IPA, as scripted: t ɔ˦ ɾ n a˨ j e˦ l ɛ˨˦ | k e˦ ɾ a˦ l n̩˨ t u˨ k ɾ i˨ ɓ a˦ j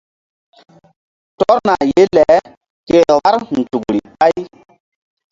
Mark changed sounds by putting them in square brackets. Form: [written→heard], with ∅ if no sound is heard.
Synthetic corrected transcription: t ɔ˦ ɾ n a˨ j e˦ l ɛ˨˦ | k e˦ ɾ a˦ [l→ɾ] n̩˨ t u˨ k ɾ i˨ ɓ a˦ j